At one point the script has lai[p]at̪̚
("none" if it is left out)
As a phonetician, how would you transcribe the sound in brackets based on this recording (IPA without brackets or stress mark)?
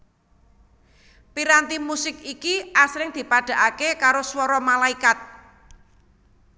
k